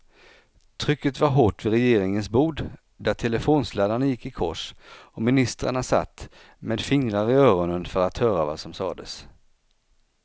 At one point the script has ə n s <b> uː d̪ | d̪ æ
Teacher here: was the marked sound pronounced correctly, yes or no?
yes